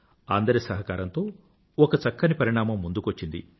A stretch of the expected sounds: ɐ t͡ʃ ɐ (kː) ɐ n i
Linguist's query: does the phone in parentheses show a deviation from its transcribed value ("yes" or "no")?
no